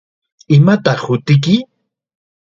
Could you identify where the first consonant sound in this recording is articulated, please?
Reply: labial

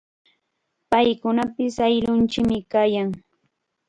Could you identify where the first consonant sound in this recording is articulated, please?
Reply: labial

